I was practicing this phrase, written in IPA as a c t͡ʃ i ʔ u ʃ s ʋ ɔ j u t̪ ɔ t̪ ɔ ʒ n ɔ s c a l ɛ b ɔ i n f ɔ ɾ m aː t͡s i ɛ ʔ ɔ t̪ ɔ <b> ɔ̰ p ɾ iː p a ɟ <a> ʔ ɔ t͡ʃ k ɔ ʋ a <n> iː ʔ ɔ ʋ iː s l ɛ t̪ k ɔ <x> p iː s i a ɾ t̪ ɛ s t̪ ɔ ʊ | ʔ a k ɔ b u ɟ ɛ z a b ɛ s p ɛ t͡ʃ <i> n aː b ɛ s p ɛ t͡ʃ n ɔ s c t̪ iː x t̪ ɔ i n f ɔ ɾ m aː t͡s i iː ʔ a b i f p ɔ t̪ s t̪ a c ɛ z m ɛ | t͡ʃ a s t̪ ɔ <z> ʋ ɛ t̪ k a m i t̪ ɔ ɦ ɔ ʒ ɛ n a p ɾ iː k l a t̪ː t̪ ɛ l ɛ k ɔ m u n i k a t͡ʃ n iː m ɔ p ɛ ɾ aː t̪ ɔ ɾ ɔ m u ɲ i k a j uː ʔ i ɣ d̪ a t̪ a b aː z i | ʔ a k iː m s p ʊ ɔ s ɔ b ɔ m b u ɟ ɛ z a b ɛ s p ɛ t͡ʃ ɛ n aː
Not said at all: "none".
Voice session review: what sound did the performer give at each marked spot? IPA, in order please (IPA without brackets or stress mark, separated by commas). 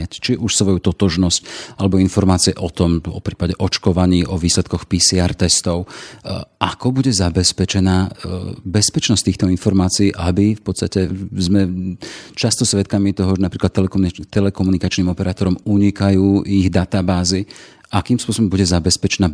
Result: m, ɛ, ɲ, x, ɛ, s